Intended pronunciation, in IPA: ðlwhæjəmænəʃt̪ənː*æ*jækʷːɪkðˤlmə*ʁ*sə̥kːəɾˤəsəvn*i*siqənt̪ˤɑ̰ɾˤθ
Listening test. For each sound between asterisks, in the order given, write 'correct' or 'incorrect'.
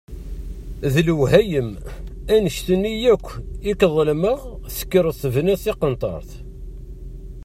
incorrect, correct, incorrect

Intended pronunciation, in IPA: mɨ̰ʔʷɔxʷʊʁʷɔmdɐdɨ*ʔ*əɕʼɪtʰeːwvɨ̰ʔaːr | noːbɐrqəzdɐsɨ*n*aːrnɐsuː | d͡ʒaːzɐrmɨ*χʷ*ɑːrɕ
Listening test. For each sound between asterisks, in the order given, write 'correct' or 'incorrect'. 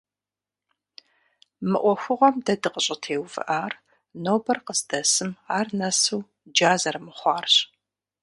incorrect, incorrect, correct

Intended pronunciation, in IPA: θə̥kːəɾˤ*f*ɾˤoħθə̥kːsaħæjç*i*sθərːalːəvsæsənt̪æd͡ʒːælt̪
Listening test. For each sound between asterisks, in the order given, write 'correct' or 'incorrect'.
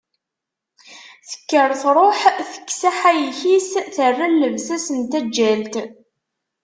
incorrect, correct

